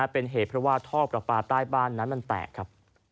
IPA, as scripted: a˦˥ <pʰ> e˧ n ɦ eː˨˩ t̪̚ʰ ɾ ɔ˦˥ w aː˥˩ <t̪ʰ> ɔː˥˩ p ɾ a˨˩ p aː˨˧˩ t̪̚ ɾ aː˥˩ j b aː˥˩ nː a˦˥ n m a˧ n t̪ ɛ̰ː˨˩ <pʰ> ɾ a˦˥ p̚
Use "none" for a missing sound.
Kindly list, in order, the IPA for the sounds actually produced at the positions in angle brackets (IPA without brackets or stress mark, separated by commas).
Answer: p, t̪ʰ, kʰ